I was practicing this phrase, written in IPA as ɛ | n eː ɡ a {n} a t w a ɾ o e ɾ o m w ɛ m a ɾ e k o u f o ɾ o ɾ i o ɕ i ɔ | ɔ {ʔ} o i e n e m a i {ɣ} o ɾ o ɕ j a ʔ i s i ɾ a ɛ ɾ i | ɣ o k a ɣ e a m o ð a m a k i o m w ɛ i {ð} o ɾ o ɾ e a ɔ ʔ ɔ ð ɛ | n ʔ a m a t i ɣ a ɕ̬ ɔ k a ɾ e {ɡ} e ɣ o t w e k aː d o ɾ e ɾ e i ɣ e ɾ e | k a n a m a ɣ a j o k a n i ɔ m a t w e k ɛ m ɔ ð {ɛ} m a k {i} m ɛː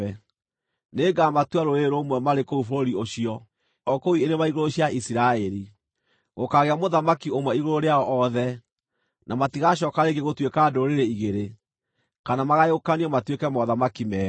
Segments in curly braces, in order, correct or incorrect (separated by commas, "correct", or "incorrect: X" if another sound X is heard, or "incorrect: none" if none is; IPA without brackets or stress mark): incorrect: m, incorrect: k, correct, incorrect: ɣ, correct, incorrect: a, correct